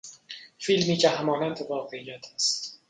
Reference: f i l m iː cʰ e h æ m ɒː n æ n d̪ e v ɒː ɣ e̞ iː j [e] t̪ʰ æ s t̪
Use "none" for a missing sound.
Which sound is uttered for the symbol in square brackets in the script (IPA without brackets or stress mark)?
æ